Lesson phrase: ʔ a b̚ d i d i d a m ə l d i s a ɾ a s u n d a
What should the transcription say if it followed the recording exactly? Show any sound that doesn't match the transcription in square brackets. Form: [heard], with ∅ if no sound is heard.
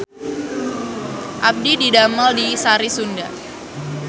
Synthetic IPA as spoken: ʔ a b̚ d i d i d a m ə l d i s a ɾ [i] s u n d a